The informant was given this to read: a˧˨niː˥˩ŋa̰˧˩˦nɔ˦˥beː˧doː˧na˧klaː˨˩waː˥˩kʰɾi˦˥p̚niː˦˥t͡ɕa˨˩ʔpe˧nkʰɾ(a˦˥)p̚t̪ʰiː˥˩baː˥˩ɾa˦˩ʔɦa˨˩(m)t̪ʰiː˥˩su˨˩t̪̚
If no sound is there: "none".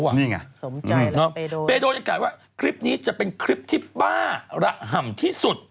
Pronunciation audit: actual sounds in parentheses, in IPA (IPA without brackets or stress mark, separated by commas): i˦˥, m